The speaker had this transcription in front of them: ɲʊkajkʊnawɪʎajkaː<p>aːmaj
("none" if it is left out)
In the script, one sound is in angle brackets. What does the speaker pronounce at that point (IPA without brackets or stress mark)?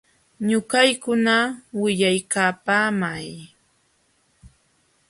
p